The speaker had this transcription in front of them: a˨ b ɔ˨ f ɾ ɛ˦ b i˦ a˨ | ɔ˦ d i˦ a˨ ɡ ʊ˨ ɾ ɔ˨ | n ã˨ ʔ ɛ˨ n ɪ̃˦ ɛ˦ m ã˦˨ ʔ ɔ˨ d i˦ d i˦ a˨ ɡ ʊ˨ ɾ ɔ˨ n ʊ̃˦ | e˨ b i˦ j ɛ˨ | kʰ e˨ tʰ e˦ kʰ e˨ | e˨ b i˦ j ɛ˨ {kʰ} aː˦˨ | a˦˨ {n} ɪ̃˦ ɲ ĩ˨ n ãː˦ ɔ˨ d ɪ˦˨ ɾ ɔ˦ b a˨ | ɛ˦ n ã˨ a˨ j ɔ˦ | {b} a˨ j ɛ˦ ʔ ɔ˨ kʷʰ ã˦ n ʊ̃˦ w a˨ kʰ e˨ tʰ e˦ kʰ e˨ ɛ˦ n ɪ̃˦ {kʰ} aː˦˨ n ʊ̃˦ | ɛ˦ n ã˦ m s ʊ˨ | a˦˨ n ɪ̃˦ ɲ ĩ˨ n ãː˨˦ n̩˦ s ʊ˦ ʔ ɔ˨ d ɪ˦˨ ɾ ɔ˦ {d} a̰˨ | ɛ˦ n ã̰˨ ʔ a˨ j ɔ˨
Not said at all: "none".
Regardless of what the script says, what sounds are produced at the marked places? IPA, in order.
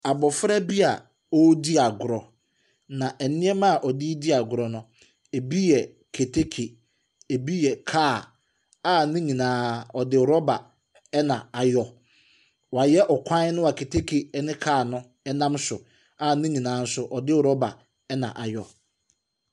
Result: kʰ, n, w, kʰ, b

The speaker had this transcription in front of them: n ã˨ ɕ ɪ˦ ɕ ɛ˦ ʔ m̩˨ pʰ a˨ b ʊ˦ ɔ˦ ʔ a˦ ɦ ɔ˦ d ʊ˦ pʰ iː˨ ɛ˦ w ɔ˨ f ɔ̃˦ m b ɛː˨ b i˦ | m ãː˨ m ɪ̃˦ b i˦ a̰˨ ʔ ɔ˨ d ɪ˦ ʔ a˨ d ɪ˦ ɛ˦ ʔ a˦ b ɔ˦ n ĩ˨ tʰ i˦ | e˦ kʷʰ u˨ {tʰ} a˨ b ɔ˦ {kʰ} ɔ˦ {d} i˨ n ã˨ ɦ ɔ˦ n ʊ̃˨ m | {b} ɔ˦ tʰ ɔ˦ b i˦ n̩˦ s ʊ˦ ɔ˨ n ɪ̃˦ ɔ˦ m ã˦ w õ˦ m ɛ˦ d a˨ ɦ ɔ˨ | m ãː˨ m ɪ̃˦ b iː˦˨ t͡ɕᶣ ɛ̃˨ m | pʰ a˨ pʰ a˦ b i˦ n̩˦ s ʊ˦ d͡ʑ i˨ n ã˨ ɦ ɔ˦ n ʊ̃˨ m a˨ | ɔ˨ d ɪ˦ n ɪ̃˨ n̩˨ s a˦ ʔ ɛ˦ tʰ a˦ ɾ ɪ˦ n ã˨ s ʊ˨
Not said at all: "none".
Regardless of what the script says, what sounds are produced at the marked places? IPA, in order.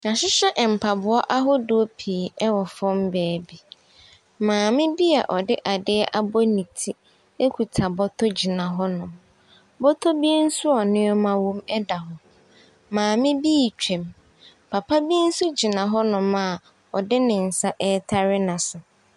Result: tʰ, tʰ, d͡ʑ, b

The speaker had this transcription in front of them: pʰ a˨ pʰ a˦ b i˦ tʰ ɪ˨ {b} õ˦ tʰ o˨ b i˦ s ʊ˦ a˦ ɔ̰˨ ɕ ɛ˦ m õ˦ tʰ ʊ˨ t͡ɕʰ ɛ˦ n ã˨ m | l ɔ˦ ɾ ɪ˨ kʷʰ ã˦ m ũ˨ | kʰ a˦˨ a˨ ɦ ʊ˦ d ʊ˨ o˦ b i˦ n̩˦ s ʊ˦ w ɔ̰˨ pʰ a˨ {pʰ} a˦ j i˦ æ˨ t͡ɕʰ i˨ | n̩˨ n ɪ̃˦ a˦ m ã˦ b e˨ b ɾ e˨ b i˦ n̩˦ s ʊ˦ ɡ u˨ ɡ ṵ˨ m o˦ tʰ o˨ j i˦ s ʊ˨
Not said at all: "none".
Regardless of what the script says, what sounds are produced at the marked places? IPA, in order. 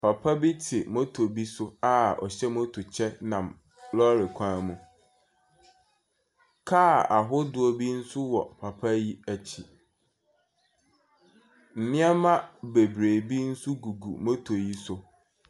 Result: m, pʰ

